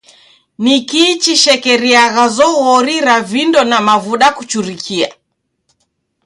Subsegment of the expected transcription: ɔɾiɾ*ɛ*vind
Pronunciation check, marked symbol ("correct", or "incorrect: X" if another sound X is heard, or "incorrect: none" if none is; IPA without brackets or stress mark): incorrect: a